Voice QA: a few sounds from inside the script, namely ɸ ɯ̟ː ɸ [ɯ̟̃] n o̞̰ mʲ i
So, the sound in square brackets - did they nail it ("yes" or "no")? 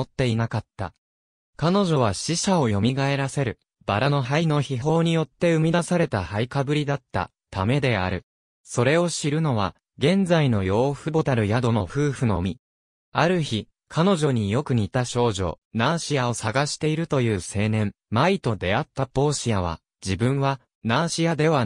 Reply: no